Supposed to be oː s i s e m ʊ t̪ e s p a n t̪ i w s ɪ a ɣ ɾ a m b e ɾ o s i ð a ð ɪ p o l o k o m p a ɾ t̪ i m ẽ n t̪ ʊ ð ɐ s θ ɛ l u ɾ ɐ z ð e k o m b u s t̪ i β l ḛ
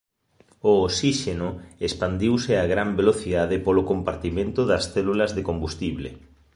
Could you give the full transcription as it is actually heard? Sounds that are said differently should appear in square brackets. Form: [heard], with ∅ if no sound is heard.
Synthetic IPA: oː s i [ʃ] e [n] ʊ [∅] e s p a n [d̪] i w s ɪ a ɣ ɾ a m b e [l] o [θ] i ð a ð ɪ p o l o k o m p a ɾ t̪ i m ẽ n t̪ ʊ ð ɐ s θ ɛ l u [l] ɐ z ð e k o m b u s t̪ i β l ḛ